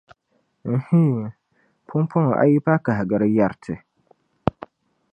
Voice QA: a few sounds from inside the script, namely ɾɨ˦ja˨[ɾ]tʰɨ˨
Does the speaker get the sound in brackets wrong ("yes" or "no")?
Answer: no